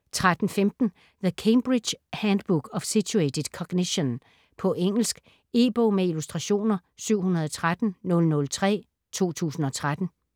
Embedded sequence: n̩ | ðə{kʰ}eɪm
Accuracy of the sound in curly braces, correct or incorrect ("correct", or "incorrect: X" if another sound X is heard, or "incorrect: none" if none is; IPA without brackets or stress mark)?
correct